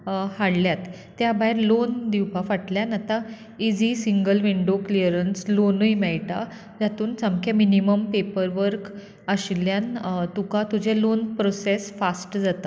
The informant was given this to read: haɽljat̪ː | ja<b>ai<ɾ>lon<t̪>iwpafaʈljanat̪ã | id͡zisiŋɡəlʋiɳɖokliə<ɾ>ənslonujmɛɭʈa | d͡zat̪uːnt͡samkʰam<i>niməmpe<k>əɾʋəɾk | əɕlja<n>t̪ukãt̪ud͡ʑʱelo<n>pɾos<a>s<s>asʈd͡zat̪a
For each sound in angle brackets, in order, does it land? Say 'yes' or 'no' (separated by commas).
yes, yes, no, yes, yes, no, yes, yes, no, no